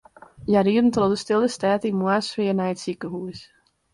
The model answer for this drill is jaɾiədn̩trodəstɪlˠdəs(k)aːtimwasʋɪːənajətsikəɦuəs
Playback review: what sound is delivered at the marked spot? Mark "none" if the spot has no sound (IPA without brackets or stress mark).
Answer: t